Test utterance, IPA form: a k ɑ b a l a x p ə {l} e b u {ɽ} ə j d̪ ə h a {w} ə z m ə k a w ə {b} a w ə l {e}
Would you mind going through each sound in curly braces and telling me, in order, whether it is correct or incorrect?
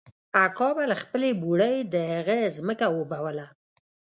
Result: correct, correct, incorrect, correct, incorrect

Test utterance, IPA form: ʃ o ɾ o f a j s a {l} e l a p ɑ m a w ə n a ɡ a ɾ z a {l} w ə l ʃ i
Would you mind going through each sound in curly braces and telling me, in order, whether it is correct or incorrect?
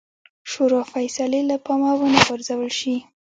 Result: correct, incorrect

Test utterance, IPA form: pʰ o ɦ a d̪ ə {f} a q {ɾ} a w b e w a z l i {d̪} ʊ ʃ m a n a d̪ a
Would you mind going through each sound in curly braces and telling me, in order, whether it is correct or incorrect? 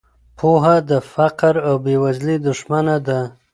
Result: correct, correct, correct

